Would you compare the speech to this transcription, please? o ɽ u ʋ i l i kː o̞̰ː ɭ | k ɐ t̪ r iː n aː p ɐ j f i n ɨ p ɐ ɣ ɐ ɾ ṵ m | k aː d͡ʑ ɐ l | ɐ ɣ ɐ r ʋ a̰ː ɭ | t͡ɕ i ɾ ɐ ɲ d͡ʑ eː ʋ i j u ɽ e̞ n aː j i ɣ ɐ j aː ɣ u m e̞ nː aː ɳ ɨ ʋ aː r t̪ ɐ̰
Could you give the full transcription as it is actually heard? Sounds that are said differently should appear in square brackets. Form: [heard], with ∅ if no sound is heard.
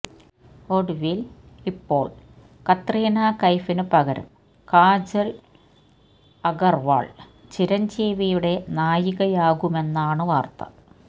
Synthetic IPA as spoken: o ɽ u ʋ i l i [pː] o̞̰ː ɭ | k ɐ t̪ r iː n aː [k] ɐ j f i n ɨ p ɐ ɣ ɐ ɾ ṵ m | k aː d͡ʑ ɐ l | ɐ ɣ ɐ r ʋ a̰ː ɭ | t͡ɕ i ɾ ɐ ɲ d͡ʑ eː ʋ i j u ɽ e̞ n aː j i ɣ ɐ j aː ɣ u m e̞ nː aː ɳ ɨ ʋ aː r t̪ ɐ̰